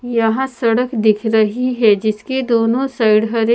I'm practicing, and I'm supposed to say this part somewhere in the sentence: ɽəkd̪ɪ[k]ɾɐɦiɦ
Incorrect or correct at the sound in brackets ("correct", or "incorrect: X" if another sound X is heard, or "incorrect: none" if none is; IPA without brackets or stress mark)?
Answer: incorrect: kʰ